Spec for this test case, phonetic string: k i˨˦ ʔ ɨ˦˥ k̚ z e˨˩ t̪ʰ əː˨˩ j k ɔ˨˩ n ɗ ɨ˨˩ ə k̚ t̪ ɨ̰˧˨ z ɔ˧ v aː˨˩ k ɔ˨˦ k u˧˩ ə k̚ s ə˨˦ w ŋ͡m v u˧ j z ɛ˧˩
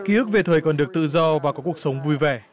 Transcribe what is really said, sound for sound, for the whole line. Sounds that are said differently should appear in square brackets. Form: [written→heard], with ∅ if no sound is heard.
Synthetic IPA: k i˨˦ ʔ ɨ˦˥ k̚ [z→v] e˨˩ t̪ʰ əː˨˩ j k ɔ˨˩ n ɗ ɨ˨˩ ə k̚ t̪ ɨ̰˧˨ z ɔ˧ v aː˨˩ k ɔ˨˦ k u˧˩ ə k̚ s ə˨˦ w ŋ͡m v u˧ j [z→v] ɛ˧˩

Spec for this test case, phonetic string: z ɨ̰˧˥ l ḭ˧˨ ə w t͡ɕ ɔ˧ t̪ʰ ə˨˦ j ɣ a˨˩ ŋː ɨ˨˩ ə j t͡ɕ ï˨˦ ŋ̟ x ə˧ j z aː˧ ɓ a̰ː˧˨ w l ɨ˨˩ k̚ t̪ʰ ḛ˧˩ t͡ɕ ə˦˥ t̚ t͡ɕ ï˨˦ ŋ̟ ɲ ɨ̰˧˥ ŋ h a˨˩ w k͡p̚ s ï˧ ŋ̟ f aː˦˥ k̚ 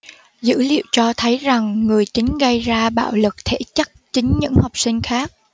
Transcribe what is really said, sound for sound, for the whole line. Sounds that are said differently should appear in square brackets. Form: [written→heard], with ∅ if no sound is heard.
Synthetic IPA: z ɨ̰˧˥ l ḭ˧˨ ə w t͡ɕ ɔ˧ t̪ʰ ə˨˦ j [ɣ→z] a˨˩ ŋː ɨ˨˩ ə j t͡ɕ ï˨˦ ŋ̟ [x→ɣ] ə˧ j z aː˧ ɓ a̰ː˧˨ w l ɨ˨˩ k̚ t̪ʰ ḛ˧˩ t͡ɕ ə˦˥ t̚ t͡ɕ ï˨˦ ŋ̟ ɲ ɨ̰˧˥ ŋ h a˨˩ w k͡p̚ s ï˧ ŋ̟ [f→x] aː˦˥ k̚

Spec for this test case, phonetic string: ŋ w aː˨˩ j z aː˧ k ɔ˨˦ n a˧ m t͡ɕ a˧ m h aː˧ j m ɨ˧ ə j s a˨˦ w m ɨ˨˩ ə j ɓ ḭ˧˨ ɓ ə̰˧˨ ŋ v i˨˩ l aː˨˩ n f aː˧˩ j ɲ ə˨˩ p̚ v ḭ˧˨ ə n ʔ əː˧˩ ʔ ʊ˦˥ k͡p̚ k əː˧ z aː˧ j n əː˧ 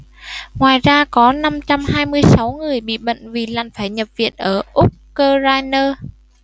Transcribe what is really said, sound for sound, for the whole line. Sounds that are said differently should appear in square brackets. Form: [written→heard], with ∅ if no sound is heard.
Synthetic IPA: ŋ w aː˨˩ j z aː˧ k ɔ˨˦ n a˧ m t͡ɕ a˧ m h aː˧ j m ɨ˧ ə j s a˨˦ w [m→ŋ] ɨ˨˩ ə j ɓ ḭ˧˨ ɓ ə̰˧˨ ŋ v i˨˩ l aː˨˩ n f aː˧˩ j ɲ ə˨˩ p̚ v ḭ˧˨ ə n ʔ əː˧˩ ʔ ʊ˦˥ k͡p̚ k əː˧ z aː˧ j n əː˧

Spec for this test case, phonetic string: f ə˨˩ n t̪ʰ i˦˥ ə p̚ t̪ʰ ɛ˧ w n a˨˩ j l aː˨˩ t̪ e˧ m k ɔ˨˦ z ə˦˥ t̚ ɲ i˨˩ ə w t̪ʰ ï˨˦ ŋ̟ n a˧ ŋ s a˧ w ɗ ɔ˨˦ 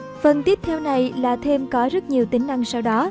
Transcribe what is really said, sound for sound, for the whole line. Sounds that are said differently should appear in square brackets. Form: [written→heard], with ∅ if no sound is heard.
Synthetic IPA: f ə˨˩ n [t̪ʰ→t̪] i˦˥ ə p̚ t̪ʰ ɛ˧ w n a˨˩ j l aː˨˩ [t̪→t̪ʰ] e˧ m k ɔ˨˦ z ə˦˥ t̚ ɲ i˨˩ ə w [t̪ʰ→t̪] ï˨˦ ŋ̟ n a˧ ŋ s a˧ w ɗ ɔ˨˦

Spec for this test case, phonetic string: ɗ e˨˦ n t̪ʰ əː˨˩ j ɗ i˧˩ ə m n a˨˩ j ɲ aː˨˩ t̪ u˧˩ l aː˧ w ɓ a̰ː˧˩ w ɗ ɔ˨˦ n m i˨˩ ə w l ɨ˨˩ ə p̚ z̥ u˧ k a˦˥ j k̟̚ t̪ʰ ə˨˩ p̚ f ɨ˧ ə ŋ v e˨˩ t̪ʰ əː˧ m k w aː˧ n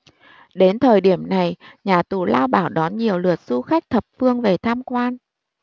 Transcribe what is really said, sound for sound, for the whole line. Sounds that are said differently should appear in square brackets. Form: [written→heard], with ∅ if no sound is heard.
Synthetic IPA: ɗ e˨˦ n t̪ʰ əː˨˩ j ɗ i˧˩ ə m n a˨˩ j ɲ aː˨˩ t̪ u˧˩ l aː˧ w ɓ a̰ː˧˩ w ɗ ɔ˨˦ n [m→ɲ] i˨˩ ə w l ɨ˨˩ ə [p̚→t̚] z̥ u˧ [k→x] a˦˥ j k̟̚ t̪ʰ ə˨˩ p̚ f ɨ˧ ə ŋ v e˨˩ t̪ʰ [əː˧→aː˧] m k w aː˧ n

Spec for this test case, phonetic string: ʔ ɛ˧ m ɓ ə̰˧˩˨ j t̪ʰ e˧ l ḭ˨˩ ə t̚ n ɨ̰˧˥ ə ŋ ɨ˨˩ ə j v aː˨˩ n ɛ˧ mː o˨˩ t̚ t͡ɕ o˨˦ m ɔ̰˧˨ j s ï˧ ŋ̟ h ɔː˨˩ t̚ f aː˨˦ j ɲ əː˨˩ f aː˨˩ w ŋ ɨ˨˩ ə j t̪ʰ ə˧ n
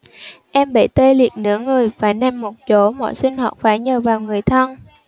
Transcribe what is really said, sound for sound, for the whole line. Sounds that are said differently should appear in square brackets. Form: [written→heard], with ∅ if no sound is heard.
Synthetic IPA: ʔ ɛ˧ m ɓ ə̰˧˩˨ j [t̪ʰ→t̪] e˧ l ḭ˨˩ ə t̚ n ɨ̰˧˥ ə ŋ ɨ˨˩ ə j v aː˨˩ n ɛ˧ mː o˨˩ t̚ t͡ɕ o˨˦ m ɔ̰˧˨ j s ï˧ ŋ̟ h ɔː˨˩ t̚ f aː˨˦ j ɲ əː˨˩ [f→v] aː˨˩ w ŋ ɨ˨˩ ə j t̪ʰ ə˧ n

